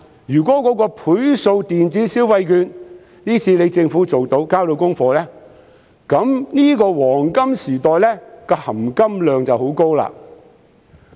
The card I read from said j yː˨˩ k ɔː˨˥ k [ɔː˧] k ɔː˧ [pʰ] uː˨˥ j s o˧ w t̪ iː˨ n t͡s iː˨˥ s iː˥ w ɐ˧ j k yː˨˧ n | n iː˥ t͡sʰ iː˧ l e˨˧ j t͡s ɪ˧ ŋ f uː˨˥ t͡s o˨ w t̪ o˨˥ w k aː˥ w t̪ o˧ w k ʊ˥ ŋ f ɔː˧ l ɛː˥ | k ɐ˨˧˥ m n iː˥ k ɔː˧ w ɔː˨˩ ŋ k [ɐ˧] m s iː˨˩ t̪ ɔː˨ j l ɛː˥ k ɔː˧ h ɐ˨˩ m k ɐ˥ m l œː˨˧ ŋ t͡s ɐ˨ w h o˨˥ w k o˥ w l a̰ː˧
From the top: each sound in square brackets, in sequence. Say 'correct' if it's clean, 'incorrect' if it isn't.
incorrect: ɔː˨˥, correct, incorrect: ɐ˥

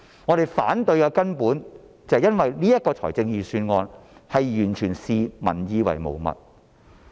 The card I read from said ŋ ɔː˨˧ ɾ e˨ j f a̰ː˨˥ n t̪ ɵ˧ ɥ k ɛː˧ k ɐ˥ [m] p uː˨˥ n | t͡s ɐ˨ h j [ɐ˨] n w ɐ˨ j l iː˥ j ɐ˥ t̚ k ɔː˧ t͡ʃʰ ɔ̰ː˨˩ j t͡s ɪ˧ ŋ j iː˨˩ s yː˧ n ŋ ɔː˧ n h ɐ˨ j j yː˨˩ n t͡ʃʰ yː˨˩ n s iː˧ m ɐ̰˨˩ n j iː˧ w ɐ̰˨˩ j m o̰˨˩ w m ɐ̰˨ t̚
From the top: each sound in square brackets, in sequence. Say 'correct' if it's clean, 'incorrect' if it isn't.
incorrect: n, incorrect: ɐ˥

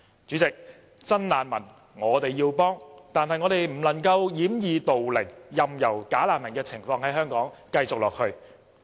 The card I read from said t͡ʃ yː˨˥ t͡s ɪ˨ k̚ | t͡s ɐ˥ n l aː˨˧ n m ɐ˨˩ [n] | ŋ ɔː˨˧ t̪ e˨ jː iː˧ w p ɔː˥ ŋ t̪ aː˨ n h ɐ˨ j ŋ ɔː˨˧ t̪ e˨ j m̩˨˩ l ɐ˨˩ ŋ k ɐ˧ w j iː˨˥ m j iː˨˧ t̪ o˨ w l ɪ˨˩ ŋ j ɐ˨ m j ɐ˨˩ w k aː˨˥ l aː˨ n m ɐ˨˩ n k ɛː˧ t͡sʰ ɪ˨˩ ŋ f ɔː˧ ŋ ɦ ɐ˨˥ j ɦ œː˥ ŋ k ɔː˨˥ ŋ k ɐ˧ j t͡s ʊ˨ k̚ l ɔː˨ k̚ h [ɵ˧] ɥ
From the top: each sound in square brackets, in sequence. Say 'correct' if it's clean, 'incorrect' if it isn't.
correct, correct

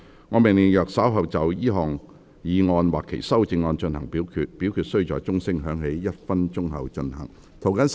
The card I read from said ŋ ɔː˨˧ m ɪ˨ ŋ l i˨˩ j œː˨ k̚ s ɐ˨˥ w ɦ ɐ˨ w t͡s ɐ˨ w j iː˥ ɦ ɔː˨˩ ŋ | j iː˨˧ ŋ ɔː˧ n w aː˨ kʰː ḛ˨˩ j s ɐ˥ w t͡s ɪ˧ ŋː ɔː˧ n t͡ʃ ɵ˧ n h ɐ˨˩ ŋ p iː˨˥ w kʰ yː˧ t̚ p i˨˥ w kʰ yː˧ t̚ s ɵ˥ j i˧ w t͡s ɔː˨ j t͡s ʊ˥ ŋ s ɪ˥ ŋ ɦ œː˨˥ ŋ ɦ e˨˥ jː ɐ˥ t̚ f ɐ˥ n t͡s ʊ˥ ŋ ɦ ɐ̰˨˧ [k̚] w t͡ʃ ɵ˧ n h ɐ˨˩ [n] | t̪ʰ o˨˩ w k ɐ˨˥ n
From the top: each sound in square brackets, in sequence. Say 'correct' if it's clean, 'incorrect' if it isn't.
incorrect: none, incorrect: ŋ

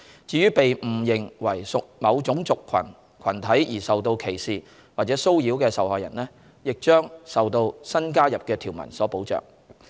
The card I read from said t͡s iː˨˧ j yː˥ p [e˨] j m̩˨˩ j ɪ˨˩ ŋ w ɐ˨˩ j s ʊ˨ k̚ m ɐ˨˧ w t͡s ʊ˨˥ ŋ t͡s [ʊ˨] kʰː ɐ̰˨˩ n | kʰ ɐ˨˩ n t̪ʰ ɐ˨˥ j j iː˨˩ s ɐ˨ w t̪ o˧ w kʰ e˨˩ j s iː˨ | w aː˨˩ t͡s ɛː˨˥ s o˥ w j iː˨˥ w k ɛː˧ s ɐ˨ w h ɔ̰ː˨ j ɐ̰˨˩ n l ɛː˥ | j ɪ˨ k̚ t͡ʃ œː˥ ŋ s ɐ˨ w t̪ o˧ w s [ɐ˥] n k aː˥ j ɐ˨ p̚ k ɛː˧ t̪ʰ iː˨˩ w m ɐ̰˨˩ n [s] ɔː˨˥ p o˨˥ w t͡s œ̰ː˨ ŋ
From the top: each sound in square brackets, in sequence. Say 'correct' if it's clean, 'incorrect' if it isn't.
correct, correct, correct, correct

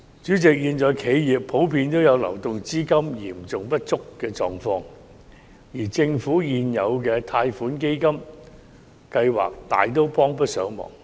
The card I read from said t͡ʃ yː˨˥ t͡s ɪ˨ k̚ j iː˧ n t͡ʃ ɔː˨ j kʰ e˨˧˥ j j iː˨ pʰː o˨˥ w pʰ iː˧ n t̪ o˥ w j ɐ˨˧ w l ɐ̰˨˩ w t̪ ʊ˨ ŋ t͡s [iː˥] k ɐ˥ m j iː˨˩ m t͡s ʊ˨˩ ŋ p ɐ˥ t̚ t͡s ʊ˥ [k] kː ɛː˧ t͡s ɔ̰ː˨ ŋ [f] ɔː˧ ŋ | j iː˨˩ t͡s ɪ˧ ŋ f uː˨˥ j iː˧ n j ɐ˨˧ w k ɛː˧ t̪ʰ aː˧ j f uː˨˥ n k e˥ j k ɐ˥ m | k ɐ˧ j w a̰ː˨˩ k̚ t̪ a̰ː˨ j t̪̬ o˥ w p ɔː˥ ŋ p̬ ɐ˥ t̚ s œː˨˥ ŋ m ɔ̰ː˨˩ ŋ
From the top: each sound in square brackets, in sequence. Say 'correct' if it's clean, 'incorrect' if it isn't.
correct, correct, correct

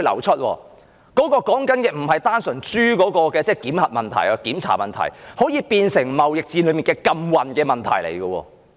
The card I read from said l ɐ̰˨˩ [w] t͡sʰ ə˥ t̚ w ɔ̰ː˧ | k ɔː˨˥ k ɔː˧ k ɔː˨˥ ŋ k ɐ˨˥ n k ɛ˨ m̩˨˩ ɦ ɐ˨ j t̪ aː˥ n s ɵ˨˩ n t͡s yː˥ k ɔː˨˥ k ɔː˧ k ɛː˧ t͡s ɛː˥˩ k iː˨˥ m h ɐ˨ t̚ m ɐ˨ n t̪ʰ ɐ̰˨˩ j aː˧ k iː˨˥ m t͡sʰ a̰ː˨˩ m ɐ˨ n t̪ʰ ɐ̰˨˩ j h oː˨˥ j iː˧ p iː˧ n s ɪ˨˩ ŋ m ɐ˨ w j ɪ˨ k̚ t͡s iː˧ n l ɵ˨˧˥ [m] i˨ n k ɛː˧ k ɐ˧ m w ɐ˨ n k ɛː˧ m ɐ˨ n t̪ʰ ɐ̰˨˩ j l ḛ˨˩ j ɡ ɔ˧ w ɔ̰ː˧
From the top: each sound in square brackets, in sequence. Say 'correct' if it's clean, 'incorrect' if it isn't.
correct, correct

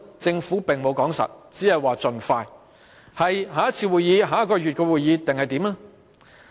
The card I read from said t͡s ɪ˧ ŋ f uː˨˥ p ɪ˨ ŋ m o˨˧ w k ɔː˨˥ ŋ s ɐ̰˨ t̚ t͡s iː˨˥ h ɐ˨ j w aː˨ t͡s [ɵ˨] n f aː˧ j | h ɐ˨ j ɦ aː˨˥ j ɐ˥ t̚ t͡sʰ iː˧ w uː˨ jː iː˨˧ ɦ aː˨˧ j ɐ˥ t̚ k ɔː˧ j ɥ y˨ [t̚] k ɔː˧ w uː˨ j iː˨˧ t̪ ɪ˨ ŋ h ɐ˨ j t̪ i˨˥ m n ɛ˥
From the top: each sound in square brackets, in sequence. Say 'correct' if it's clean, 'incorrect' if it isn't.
correct, correct

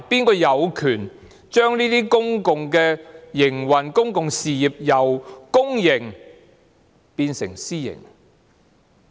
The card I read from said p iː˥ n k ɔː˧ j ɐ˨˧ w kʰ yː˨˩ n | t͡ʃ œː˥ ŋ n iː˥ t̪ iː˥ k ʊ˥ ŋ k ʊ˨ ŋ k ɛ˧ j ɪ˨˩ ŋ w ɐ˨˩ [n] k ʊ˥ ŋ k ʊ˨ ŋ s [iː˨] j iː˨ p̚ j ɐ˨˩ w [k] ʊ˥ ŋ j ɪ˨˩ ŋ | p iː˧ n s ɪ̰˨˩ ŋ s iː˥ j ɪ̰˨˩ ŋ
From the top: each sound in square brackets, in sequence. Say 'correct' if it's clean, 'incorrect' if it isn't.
correct, correct, correct

